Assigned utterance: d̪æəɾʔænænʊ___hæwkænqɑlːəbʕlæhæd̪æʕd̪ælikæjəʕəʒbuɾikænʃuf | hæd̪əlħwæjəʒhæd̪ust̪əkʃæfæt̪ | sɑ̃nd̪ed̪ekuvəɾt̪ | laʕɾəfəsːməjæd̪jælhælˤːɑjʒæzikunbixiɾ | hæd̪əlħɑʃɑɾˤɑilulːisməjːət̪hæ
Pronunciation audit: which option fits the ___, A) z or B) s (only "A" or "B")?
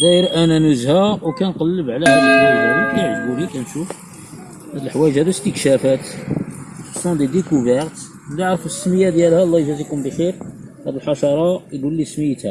A